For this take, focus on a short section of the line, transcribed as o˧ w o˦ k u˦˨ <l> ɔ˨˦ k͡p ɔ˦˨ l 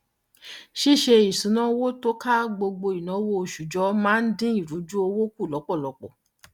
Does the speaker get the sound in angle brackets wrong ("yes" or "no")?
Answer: no